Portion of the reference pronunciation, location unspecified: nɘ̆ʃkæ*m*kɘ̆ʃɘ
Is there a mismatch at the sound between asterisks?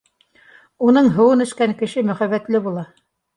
yes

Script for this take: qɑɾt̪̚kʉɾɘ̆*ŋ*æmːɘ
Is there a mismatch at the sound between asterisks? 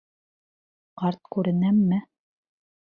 yes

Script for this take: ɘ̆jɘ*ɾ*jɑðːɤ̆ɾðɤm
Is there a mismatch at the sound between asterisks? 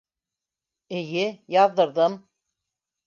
yes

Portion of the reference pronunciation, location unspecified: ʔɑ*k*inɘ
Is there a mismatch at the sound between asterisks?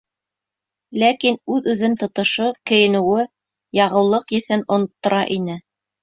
yes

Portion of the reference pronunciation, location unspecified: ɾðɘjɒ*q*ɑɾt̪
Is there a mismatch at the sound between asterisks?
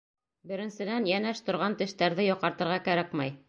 no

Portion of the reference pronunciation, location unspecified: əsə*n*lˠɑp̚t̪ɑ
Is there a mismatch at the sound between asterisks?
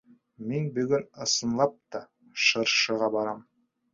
no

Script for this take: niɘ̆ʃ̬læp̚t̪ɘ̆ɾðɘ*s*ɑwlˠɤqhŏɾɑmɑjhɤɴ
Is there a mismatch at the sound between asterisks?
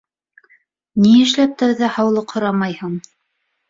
yes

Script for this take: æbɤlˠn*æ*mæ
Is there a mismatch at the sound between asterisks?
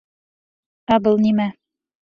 yes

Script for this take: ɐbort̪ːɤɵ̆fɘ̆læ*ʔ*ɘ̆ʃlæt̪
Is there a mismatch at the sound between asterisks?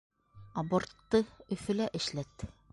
no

